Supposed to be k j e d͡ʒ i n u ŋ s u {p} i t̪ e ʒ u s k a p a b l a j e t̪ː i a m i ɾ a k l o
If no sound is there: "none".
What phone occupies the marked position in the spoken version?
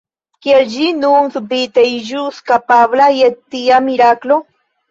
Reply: b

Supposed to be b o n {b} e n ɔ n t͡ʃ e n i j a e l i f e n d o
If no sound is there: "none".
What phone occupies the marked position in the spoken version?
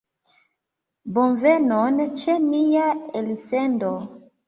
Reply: v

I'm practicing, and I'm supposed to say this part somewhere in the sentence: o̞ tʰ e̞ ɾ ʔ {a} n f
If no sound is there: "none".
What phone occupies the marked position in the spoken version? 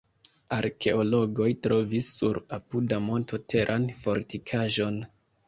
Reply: a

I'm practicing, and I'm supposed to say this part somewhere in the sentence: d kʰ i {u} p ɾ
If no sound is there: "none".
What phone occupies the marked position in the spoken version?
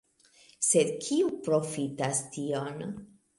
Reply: u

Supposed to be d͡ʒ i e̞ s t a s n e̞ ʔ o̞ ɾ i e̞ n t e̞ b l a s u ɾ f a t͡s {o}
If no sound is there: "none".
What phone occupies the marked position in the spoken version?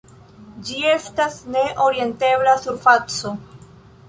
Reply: o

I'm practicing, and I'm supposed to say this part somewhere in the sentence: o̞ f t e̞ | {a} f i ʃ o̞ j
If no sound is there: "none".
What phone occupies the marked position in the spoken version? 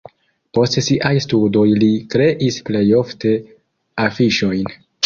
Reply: a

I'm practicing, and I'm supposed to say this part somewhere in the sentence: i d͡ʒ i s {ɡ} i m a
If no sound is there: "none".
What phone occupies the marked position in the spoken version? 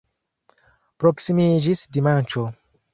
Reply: d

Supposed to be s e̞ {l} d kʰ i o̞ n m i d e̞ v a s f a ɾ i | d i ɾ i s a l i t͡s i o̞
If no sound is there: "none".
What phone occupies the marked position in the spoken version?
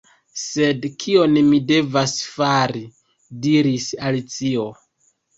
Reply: none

